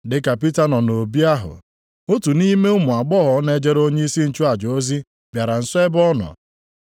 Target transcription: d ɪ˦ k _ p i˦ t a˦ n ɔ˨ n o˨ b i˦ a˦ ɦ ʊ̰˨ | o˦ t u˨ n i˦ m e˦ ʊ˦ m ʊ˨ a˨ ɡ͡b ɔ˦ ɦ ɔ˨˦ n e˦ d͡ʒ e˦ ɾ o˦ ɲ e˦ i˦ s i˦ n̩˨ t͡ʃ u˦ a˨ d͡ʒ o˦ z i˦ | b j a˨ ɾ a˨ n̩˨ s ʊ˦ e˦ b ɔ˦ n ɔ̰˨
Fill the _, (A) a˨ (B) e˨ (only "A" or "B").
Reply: A